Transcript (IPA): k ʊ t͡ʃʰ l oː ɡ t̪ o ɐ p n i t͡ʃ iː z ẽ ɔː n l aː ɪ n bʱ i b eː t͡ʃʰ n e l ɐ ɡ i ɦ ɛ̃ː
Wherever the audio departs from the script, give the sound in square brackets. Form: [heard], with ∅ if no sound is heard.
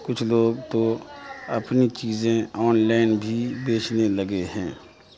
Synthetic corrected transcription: k ʊ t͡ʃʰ l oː ɡ t̪ o ɐ p n i t͡ʃ iː z ẽ ɔː n l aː ɪ n bʱ i b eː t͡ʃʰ n e l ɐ ɡ [e] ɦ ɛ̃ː